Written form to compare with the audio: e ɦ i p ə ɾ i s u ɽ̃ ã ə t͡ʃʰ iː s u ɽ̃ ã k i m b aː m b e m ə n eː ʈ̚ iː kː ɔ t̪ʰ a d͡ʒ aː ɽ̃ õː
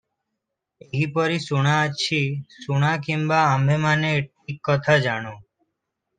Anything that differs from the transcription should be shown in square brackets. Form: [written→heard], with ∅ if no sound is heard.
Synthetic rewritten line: e ɦ i p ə ɾ i s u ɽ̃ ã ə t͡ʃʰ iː s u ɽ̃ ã k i m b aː m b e m [ə→a] n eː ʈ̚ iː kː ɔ t̪ʰ a d͡ʒ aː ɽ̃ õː